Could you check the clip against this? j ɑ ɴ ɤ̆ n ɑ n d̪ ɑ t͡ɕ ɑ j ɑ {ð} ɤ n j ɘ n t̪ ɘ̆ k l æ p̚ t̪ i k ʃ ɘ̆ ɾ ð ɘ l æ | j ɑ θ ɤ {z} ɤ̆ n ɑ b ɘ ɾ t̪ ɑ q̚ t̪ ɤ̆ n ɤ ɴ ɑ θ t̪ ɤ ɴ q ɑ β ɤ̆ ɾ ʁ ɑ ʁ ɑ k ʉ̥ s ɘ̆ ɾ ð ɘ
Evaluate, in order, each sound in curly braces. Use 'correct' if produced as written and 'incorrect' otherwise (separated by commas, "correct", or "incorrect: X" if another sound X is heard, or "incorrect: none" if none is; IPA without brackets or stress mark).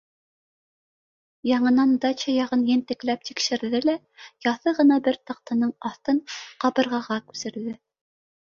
incorrect: ʁ, incorrect: ʁ